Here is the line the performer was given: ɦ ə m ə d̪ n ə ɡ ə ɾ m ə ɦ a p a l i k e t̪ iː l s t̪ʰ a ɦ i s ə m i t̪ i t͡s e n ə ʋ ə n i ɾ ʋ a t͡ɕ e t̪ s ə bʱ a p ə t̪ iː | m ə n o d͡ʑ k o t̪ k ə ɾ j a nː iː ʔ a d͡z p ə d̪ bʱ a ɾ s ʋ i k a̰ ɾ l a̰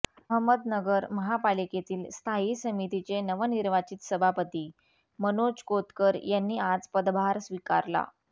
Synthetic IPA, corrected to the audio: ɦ ə m ə d̪ n ə ɡ ə ɾ m ə ɦ a p a l i k e t̪ iː l s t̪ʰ a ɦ i s ə m i t̪ i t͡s e n ə ʋ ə n i ɾ ʋ a t͡ɕ i t̪ s ə bʱ a p ə t̪ iː | m ə n o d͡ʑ k o t̪ k ə ɾ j a nː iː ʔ a d͡z p ə d̪ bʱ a ɾ s ʋ i k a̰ ɾ l a̰